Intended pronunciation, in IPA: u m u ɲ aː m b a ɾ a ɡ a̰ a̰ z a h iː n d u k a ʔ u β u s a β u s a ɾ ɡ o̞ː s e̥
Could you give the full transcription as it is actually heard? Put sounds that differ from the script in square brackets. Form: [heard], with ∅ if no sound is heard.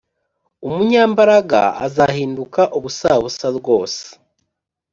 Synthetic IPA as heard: u m u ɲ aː m b a ɾ a ɡ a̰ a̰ z a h iː n d u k a ʔ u β u s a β u s a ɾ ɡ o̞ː s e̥